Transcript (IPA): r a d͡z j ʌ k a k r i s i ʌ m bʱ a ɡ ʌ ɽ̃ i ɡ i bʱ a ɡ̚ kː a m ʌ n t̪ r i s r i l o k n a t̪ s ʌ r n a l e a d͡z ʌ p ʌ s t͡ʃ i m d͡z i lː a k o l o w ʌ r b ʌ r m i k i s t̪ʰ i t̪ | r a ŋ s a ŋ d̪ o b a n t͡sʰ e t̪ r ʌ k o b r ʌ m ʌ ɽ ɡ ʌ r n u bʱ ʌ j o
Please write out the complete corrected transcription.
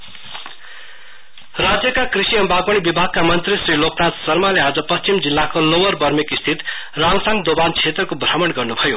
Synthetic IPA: r a d͡z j ʌ k a k r i s i ʌ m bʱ a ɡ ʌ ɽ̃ i b i bʱ a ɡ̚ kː a m ʌ n t̪ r i s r i l o k n a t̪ s ʌ r m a l e a d͡z ʌ p ʌ s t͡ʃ i m d͡z i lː a k o l o w ʌ r b ʌ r m i k i s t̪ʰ i t̪ | r a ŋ s a ŋ d̪ o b a n t͡sʰ e t̪ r ʌ k o b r ʌ m ʌ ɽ ɡ ʌ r n u bʱ ʌ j o